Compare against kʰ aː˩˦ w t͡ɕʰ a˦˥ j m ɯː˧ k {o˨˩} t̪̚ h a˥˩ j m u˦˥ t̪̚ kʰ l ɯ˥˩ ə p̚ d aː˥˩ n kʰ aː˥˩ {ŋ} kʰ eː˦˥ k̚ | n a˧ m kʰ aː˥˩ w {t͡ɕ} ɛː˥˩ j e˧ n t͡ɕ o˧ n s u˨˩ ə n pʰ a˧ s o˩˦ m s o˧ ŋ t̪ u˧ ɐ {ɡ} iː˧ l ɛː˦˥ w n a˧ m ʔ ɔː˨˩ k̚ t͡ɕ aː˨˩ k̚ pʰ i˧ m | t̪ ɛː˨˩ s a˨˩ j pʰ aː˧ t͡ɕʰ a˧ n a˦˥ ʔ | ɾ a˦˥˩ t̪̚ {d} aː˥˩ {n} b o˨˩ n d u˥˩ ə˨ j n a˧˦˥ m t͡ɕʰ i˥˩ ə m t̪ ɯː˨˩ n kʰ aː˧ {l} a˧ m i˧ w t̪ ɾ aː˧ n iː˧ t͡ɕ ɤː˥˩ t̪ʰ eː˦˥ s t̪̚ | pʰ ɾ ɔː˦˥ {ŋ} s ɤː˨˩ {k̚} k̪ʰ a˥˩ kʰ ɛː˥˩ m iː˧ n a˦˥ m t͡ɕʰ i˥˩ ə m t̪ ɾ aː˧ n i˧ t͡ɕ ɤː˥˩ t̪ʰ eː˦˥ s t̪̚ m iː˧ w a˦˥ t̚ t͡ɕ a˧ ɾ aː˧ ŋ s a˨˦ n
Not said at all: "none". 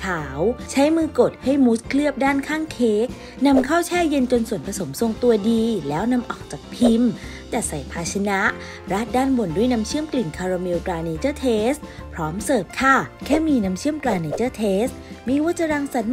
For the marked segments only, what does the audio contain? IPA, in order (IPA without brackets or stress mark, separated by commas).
o˨˩, ŋ, t͡ɕʰ, d, d, n, ɾ, m, p̚